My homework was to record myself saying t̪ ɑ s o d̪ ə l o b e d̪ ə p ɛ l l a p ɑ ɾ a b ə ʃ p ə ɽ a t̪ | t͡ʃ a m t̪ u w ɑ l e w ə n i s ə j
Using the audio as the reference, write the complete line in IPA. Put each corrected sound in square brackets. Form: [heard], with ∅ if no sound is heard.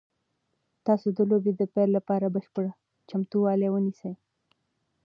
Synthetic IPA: t̪ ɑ s o d̪ ə l o b e d̪ ə p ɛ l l a p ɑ ɾ a b ə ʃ p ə ɽ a [∅] | t͡ʃ a m t̪ u w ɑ l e w ə n i s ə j